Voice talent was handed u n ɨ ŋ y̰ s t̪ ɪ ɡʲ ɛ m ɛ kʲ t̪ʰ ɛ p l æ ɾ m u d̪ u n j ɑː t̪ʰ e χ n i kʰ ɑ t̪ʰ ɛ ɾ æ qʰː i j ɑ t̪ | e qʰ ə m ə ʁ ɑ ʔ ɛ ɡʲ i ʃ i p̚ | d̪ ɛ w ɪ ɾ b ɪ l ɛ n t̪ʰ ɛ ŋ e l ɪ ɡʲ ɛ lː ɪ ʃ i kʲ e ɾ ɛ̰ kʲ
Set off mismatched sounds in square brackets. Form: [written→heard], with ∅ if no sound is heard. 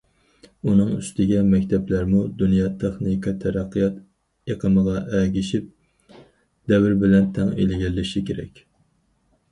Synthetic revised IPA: u n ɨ ŋ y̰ s t̪ ɪ ɡʲ ɛ m ɛ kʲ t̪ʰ ɛ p l æ ɾ m u d̪ u n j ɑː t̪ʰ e χ n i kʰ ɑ t̪ʰ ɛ ɾ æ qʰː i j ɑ t̪ | e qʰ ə m ə ʁ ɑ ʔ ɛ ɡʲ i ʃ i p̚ | d̪ ɛ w ɪ ɾ b ɪ l ɛ n t̪ʰ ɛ ŋ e l ɪ ɡʲ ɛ lː ɪ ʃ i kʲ e ɾ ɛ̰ kʲ